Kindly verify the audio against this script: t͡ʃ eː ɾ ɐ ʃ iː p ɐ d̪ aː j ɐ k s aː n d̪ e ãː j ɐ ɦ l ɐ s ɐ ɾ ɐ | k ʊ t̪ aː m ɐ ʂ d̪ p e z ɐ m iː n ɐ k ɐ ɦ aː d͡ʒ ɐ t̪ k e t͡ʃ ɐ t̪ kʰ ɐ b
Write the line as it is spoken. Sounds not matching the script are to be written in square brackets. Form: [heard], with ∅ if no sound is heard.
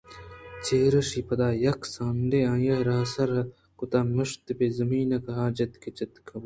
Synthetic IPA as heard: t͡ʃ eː ɾ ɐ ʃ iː p ɐ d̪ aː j ɐ k s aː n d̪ e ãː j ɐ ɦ [ɾ] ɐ s ɐ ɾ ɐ | k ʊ t̪ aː m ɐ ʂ [t̪] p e z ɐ m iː n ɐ k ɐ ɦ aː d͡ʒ ɐ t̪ k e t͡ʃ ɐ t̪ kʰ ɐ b